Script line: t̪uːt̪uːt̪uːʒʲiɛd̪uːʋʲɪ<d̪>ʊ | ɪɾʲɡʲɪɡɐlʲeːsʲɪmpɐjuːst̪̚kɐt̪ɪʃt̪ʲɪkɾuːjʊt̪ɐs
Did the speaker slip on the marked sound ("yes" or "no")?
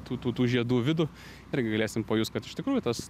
no